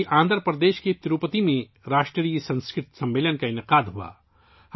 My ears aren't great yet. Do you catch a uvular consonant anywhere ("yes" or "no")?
yes